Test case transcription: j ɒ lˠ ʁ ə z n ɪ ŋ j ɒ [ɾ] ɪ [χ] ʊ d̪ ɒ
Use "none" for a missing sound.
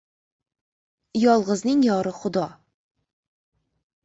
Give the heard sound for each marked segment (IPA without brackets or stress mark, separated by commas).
ɾ, χ